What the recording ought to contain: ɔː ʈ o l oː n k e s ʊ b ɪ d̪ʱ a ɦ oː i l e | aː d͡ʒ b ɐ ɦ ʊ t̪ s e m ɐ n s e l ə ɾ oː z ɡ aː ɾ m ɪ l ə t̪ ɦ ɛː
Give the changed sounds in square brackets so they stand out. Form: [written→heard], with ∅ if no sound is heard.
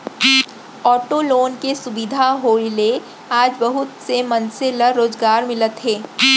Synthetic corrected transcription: ɔː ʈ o l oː n k e s ʊ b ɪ d̪ʱ a ɦ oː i l e | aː d͡ʒ b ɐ ɦ ʊ t̪ s e m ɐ n s e l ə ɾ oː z ɡ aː ɾ m ɪ l ə t̪ ɦ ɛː